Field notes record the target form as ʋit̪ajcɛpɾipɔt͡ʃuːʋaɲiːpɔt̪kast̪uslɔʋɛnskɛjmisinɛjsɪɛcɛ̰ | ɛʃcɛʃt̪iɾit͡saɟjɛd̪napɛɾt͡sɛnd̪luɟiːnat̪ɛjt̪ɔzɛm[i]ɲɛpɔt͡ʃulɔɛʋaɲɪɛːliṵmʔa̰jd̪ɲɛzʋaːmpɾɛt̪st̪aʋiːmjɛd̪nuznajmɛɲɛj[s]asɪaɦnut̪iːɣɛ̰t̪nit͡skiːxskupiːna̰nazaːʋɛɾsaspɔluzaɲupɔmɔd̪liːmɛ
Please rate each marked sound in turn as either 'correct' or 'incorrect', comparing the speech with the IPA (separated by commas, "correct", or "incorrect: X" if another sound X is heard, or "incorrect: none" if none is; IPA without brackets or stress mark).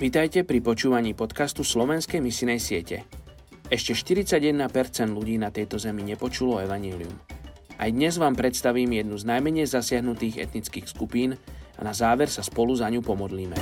correct, incorrect: z